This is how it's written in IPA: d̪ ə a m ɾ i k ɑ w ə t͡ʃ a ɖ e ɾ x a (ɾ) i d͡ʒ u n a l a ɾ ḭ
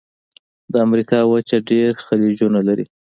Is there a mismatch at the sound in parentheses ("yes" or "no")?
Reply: yes